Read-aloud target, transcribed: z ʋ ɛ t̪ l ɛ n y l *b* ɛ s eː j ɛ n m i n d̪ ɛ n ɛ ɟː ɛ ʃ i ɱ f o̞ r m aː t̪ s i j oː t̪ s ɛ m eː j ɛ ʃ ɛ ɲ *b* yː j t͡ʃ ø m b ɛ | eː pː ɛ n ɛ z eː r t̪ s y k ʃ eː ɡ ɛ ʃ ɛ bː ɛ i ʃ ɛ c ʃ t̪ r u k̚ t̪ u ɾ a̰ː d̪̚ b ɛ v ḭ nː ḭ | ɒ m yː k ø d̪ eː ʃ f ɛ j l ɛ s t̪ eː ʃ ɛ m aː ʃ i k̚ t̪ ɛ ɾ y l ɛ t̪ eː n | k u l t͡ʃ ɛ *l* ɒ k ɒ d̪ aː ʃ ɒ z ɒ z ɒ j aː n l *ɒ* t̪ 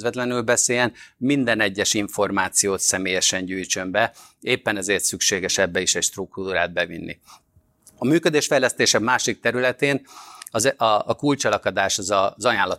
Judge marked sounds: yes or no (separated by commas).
yes, no, yes, yes